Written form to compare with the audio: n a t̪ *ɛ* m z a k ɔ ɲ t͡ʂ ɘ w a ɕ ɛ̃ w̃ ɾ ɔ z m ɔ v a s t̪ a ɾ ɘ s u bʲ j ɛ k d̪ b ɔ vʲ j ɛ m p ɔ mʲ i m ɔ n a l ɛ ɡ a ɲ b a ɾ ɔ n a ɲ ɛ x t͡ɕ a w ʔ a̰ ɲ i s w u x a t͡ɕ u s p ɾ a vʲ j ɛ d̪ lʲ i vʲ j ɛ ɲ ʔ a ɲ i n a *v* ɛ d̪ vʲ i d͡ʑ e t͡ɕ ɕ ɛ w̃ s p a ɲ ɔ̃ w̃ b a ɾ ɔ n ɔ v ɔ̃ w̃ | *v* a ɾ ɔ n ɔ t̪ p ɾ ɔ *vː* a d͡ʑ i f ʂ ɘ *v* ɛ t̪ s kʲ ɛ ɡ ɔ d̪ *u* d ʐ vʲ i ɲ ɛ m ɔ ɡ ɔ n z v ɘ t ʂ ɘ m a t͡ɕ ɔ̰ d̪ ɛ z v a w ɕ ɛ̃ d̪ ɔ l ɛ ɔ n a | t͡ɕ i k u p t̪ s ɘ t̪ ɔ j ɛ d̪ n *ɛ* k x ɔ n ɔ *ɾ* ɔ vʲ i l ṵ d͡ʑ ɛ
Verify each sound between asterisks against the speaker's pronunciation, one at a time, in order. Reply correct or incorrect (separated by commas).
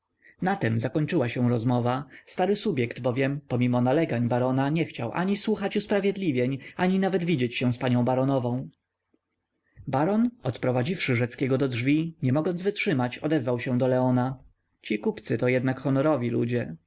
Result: correct, correct, incorrect, incorrect, incorrect, incorrect, incorrect, correct